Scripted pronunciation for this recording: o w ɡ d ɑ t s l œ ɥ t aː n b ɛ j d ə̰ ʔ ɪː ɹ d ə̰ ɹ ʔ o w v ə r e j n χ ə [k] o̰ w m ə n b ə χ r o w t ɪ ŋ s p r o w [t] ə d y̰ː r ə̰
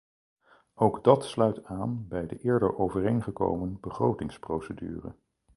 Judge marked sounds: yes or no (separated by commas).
yes, no